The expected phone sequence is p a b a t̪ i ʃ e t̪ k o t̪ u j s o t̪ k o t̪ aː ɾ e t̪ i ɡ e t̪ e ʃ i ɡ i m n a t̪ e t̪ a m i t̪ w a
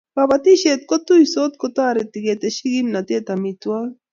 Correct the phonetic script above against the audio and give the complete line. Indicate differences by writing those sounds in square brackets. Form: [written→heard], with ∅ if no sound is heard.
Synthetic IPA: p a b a t̪ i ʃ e t̪ k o t̪ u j s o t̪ k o t̪ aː ɾ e t̪ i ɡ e t̪ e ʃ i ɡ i m n a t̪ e t̪ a m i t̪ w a